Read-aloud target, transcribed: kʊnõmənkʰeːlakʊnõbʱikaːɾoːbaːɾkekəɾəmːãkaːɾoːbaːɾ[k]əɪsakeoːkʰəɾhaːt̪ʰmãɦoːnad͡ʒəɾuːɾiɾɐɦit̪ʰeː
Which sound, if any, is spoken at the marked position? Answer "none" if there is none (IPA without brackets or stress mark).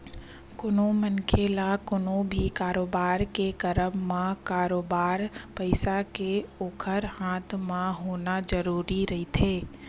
p